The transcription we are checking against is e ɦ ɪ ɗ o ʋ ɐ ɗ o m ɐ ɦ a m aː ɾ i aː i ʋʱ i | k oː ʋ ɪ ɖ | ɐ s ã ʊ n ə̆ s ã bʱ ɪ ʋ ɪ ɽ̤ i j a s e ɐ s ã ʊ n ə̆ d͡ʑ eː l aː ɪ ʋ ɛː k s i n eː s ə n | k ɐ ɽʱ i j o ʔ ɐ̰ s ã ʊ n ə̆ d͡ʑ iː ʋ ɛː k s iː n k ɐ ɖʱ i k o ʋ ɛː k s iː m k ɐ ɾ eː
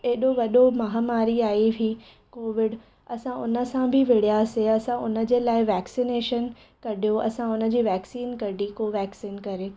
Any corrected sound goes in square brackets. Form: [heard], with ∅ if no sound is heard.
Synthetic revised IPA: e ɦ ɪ ɗ o ʋ ɐ ɗ o m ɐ ɦ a m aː ɾ i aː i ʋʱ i | k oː ʋ ɪ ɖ | ɐ s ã ʊ n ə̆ s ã bʱ ɪ ʋ ɪ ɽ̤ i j a s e ɐ s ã ʊ n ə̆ d͡ʑ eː l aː ɪ ʋ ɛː k s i n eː [ʃ] ə n | k ɐ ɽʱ i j o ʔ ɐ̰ s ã ʊ n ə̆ d͡ʑ iː ʋ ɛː k s iː n k ɐ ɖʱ i k o ʋ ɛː k s iː [n] k ɐ ɾ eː